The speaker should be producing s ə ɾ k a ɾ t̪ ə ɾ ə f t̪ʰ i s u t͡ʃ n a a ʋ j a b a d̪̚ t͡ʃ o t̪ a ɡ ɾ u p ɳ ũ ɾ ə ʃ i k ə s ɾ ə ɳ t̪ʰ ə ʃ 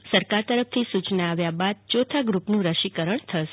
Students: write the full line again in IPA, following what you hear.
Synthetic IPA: s ə ɾ k a ɾ t̪ ə ɾ ə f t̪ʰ i s u t͡ʃ n a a ʋ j a b a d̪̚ t͡ʃ o t̪ʰ a ɡ ɾ u p n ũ ɾ ə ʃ i k ə ɾ ə ɳ t̪ʰ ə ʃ